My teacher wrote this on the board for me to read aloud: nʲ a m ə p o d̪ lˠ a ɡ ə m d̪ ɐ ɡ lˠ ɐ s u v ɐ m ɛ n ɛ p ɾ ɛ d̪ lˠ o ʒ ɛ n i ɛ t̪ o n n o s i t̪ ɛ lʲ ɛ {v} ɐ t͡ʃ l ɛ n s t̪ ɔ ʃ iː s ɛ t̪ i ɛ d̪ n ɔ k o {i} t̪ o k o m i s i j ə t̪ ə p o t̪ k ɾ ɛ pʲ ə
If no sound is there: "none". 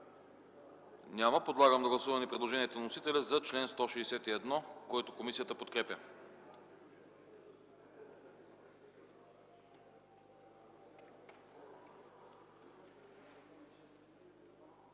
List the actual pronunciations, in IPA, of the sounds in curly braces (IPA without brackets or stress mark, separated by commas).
z, ɛ